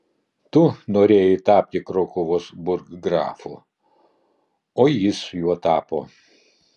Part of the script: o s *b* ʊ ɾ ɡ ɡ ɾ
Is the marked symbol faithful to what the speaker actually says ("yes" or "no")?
yes